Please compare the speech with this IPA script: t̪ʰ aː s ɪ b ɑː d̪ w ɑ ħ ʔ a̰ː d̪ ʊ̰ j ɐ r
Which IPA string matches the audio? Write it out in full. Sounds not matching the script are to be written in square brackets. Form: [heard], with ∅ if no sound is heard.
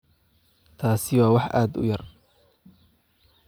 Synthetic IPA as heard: t̪ʰ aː s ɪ [w] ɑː [∅] w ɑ ħ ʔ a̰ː d̪ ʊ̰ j ɐ r